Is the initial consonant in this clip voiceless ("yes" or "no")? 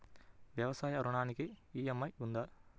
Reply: no